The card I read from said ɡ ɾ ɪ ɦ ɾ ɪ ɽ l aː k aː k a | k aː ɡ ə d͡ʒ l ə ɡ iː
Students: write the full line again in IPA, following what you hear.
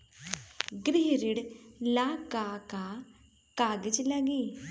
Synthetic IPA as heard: ɡ ɾ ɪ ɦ ɾ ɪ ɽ l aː k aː k a | k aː ɡ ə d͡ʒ l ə ɡ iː